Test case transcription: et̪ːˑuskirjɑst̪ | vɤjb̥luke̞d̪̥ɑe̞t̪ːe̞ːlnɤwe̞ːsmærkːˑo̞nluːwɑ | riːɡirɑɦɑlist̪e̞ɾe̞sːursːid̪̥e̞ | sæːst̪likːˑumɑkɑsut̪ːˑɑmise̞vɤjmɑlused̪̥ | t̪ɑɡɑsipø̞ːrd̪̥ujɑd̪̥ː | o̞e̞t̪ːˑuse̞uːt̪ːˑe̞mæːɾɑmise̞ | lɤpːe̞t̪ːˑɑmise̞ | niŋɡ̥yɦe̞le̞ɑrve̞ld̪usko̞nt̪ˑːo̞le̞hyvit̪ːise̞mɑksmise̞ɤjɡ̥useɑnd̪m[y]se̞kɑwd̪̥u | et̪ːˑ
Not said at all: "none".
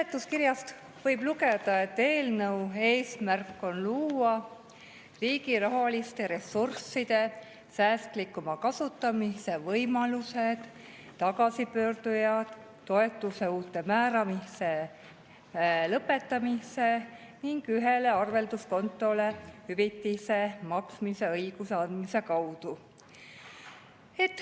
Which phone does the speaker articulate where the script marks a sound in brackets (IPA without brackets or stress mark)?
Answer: i